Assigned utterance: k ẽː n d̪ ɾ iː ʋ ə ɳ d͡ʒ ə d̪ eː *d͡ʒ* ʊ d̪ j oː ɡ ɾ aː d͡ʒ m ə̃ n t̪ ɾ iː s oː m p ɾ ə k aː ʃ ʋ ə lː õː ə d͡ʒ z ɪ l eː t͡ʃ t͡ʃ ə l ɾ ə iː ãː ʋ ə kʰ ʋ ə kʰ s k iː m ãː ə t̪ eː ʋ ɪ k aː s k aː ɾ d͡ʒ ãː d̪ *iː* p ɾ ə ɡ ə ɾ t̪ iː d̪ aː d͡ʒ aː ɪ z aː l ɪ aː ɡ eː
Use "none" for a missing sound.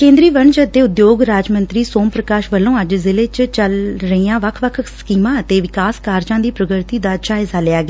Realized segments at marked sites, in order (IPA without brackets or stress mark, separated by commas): none, iː